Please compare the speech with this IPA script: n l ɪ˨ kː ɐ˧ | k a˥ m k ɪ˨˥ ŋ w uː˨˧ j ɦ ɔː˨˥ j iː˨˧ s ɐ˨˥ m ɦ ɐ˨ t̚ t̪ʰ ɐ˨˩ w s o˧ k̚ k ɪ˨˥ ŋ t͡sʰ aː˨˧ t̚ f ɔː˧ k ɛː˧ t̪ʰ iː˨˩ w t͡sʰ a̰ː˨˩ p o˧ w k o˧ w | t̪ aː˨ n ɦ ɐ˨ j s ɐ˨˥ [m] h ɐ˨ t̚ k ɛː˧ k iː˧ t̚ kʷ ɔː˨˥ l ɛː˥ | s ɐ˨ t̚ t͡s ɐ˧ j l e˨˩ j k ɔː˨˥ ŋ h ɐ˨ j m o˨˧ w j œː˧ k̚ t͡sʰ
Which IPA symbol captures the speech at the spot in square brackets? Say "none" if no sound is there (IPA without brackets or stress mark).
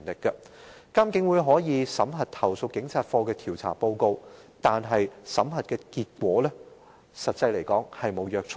m